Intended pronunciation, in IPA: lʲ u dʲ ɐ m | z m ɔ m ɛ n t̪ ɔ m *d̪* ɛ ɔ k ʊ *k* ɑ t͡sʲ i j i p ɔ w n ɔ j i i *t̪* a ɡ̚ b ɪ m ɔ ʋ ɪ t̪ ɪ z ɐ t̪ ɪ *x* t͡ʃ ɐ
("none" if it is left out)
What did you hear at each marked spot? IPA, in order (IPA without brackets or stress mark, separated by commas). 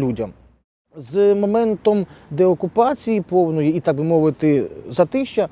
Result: d̪, p, t̪, ʃ